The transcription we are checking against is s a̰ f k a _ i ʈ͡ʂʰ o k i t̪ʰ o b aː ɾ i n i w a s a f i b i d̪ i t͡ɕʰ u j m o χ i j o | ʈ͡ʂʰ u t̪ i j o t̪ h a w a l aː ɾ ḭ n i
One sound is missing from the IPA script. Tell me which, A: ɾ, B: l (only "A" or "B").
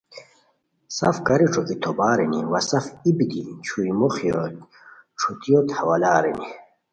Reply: A